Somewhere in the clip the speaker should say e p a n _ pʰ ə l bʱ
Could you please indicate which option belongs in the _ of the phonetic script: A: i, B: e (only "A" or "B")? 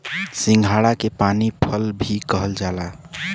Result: A